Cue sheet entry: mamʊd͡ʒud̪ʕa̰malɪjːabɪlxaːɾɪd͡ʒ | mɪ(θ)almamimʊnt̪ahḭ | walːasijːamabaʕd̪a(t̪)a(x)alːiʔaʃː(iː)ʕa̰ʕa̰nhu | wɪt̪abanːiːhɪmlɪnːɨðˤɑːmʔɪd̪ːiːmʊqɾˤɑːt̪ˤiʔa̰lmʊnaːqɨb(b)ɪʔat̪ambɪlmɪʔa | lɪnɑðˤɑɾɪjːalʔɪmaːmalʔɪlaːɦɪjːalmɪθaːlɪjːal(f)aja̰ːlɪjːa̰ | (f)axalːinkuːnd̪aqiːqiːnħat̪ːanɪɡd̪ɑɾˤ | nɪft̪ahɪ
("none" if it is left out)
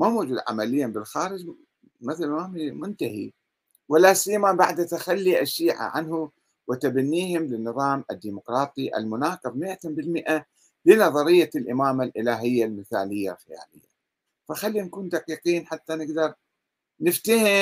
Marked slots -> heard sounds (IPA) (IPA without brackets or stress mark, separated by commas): θ, t̪, x, iː, m, x, f